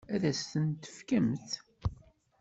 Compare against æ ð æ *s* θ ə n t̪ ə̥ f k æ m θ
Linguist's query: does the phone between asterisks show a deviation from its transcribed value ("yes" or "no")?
no